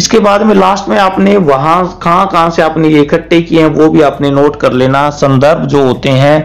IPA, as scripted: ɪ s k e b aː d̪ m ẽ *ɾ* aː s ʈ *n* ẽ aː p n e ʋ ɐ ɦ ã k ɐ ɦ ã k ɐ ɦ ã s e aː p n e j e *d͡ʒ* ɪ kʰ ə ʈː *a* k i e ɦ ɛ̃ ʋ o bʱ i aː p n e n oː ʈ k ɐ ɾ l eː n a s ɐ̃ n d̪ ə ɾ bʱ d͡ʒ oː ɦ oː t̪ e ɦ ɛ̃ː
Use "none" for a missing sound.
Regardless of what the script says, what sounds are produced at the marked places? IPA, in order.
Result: l, m, none, e

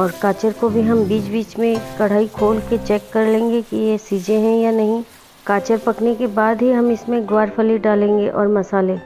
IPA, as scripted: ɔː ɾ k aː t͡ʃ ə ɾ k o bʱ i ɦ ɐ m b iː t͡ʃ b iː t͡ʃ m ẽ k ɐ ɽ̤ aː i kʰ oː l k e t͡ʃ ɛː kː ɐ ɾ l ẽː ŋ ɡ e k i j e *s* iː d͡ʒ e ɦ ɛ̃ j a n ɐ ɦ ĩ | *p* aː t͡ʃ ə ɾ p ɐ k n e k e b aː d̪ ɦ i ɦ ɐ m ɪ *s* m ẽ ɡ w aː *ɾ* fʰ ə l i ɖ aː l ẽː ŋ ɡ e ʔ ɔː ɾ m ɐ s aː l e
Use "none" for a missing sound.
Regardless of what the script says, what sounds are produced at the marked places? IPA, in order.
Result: s, k, s, ɾ

